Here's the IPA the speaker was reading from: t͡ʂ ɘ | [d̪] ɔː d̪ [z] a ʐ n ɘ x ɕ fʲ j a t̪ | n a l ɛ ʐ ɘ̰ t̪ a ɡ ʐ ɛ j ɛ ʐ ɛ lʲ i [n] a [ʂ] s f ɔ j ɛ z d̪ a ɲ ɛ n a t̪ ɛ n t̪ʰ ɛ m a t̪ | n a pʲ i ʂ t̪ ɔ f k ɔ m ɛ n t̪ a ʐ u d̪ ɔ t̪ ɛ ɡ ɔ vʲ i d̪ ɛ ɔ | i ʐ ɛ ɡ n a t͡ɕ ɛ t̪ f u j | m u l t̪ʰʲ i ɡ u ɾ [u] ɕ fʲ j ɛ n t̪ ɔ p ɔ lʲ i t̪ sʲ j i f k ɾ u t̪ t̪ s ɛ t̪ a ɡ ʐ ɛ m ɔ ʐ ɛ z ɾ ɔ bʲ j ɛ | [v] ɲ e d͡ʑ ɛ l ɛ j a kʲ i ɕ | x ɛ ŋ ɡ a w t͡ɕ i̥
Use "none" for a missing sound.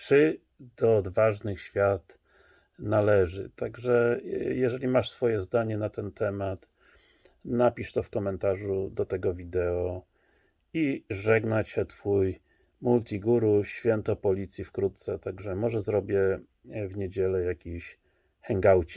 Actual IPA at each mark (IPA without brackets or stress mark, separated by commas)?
d̪, v, m, ʂ, u, v